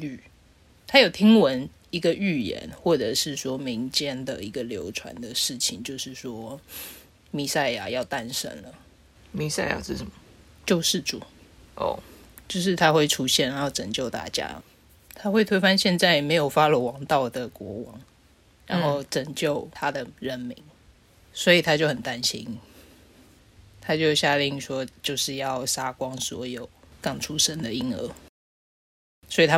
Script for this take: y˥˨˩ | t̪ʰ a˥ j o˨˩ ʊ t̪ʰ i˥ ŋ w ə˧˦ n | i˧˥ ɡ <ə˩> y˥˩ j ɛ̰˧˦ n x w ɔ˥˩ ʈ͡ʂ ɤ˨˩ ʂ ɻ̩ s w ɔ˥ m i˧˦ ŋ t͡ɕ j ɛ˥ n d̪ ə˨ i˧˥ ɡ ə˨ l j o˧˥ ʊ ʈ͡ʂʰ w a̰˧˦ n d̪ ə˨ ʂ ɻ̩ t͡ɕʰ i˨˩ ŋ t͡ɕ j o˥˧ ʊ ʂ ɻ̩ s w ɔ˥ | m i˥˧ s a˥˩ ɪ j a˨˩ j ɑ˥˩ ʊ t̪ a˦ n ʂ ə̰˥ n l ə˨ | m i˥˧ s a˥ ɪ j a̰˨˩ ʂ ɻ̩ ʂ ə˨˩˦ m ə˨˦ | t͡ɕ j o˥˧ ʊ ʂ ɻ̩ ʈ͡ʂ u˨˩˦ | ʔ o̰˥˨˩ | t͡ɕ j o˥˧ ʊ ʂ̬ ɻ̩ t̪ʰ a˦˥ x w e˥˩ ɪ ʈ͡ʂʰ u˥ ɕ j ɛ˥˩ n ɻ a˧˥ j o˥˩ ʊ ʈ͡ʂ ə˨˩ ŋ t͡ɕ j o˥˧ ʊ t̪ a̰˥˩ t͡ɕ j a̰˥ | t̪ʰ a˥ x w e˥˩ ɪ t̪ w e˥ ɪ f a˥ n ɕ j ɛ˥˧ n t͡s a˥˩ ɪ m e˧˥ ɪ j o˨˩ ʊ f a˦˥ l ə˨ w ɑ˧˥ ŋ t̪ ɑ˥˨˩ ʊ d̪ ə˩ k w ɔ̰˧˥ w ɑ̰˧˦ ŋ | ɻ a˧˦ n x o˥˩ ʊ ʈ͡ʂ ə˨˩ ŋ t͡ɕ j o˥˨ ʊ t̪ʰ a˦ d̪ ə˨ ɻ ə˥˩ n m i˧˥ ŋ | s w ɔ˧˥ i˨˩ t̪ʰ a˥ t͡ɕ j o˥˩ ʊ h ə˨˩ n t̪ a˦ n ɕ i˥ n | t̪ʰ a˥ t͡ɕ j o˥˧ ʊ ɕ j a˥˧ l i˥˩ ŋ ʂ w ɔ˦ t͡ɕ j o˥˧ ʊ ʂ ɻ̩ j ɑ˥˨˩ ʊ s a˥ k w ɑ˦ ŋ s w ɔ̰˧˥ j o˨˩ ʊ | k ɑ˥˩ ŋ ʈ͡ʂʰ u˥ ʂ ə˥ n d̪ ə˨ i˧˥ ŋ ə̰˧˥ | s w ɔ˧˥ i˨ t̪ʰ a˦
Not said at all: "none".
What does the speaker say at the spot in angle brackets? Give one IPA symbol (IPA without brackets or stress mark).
ə˧